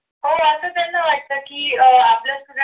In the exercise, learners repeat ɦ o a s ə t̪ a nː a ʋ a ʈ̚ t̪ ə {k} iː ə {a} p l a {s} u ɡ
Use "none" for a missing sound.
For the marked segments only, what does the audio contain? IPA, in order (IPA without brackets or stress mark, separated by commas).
k, a, s